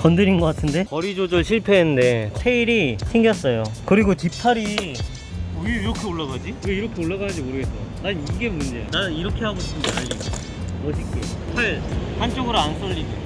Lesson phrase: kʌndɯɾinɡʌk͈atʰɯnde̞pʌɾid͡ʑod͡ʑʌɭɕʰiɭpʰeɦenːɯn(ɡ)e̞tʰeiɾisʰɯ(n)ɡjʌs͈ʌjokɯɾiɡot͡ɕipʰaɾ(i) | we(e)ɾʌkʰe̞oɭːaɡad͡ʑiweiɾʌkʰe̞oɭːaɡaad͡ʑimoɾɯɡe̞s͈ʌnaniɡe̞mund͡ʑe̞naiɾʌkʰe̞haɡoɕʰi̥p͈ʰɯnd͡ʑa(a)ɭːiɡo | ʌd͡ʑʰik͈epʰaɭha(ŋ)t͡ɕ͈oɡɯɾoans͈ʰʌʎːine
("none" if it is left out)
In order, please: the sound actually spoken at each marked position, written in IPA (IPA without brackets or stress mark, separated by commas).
d, ŋ, i, i, a, n